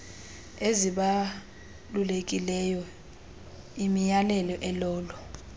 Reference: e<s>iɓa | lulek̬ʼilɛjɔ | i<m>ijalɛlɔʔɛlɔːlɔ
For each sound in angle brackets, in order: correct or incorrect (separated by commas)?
incorrect, correct